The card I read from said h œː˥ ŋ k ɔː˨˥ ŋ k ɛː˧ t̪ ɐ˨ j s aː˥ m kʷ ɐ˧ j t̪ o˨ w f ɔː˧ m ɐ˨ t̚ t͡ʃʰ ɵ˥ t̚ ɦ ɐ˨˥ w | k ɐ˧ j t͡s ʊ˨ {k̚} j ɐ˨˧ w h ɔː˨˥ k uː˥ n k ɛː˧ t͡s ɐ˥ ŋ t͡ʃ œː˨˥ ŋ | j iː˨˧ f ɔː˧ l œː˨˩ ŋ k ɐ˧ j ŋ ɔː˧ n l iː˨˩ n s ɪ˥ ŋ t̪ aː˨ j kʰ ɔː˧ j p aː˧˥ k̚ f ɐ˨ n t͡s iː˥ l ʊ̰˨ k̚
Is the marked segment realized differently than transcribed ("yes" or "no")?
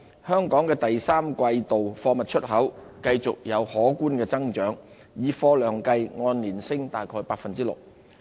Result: no